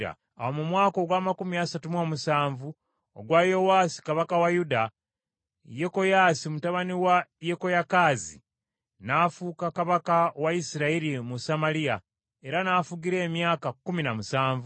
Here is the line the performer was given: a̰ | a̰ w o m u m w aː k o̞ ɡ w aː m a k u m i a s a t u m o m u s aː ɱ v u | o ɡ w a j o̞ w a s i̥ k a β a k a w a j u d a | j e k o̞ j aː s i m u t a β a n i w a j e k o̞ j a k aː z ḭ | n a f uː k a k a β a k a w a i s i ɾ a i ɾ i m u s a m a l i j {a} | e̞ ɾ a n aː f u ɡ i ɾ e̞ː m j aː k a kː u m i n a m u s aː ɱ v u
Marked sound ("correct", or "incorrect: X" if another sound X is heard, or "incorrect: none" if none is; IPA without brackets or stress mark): correct